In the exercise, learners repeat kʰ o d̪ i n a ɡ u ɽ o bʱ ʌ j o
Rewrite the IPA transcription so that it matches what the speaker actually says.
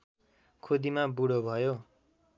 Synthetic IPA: kʰ o d̪ i m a b u ɽ o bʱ ʌ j o